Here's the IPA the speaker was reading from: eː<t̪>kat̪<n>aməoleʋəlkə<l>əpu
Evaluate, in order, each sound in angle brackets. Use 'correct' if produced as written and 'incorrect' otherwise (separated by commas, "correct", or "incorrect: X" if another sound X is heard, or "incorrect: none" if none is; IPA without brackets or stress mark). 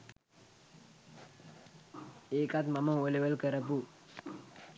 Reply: incorrect: none, incorrect: m, incorrect: ɾ